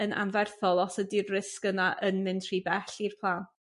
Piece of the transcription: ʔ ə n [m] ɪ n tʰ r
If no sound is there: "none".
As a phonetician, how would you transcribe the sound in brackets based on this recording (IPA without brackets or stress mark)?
m